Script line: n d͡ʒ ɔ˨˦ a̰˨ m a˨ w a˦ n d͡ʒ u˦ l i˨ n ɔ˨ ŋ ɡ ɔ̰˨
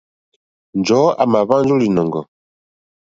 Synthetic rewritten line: n d͡ʒ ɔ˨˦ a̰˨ m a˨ β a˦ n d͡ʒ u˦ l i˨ n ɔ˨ ŋ ɡ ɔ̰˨